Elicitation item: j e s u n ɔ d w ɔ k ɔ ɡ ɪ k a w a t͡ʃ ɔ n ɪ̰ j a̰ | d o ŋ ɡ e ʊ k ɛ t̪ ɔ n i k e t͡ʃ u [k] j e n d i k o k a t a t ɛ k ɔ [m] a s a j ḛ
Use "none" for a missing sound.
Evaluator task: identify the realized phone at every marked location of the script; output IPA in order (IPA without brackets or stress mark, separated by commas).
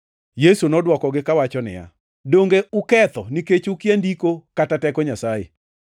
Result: k, ɲ